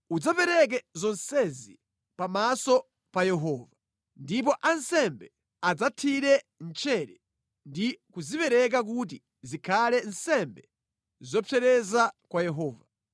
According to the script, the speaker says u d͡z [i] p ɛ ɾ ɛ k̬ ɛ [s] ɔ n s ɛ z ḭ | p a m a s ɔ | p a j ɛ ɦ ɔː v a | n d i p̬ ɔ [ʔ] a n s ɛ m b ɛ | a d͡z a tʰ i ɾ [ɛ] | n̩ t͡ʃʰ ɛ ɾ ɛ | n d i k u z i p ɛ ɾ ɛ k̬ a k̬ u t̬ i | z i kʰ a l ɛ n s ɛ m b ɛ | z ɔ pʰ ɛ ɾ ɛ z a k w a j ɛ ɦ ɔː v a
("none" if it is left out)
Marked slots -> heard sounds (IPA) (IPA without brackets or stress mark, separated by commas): a, z, ʔ, ɛ